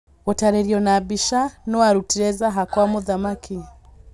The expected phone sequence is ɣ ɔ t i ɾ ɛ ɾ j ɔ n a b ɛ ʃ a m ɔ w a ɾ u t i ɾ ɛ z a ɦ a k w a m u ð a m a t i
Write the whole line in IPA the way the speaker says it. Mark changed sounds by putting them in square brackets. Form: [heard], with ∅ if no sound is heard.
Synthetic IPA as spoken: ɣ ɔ t [a] ɾ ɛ ɾ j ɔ n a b [i] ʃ a [n] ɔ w a ɾ u t i ɾ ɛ z a ɦ a k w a m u ð a m a [k] i